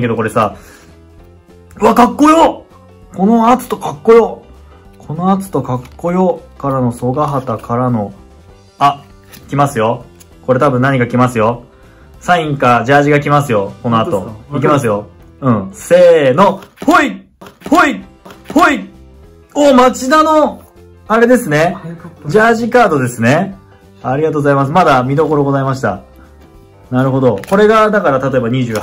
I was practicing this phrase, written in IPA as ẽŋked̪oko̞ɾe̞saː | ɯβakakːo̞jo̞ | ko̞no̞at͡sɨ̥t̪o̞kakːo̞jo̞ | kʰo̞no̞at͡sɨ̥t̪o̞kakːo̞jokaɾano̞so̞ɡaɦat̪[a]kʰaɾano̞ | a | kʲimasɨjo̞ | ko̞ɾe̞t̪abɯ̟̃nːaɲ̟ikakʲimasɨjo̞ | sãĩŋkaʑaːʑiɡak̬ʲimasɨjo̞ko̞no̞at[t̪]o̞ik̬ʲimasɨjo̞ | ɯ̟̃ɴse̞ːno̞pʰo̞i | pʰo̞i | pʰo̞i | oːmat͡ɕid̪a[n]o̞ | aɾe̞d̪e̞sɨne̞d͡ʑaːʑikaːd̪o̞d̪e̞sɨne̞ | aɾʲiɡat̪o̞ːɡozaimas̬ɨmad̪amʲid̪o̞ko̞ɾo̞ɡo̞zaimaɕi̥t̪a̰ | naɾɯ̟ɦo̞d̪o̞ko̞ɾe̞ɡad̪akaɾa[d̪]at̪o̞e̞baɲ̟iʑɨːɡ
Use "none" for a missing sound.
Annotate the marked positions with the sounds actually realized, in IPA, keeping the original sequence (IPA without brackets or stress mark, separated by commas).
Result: a, t̪, n, t̪